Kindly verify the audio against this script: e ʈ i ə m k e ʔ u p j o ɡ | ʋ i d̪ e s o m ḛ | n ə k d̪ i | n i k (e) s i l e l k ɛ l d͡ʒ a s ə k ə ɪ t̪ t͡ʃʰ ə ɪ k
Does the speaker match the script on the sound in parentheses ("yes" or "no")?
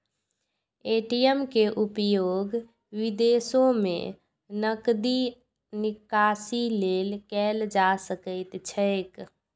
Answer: no